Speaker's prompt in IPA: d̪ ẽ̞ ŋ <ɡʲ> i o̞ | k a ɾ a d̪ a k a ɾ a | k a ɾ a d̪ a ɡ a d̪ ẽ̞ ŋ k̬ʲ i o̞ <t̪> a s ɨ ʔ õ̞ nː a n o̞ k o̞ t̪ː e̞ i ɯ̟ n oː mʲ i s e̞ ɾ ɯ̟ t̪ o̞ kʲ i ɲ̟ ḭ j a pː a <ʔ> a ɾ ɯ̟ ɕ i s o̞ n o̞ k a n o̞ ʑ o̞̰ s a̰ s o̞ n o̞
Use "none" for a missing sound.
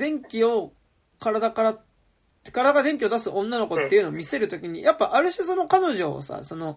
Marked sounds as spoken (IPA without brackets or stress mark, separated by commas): kʲ, d̪, ʔ